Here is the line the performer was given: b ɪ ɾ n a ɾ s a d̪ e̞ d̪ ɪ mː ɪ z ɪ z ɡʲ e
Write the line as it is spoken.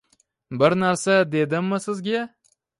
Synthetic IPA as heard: b ɪ ɾ n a ɾ s a d̪ e̞ d̪ ɪ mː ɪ s ɪ z ɡʲ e